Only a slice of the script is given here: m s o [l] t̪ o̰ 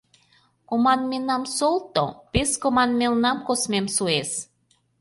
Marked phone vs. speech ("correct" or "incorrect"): correct